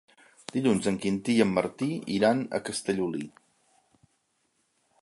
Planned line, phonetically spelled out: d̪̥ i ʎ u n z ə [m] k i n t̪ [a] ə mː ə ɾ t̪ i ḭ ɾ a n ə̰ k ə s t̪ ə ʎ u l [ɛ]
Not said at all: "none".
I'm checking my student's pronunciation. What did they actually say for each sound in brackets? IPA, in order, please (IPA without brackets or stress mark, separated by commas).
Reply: ŋ, i, i